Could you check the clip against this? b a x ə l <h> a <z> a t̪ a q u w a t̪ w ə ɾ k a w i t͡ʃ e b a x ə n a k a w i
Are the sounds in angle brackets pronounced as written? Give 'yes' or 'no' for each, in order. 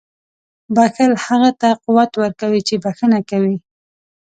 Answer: yes, no

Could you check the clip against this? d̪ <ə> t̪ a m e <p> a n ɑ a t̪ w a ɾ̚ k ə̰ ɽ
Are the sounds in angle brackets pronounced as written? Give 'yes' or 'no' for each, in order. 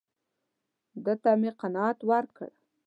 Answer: yes, no

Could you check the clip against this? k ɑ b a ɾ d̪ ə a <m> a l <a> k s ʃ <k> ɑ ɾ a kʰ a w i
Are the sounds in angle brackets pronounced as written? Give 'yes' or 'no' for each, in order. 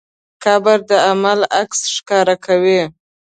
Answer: yes, yes, yes

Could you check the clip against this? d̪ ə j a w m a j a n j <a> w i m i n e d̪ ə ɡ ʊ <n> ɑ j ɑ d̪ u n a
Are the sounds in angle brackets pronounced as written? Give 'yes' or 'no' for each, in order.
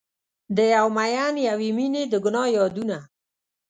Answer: yes, yes

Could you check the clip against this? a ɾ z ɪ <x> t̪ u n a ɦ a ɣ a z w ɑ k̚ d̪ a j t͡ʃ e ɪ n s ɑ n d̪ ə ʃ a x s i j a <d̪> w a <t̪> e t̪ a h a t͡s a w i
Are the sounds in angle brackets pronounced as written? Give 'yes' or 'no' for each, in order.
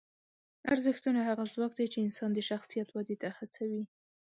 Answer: yes, no, no

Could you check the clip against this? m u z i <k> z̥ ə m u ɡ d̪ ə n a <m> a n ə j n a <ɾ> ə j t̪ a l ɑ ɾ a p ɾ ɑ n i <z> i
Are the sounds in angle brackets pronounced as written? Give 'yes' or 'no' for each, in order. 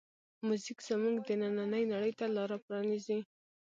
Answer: yes, no, no, yes

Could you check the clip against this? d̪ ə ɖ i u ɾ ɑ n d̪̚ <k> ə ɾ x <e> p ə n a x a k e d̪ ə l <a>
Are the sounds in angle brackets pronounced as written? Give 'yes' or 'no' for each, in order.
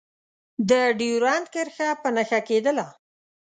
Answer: yes, no, yes

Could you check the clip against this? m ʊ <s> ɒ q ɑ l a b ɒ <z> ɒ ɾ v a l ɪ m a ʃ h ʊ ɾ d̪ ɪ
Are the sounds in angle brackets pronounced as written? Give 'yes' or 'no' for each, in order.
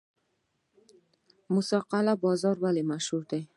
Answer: yes, yes

